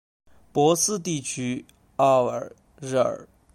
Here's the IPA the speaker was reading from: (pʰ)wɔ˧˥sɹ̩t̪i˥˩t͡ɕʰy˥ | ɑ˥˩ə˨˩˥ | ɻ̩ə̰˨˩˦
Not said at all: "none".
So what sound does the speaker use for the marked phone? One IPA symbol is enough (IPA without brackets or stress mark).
p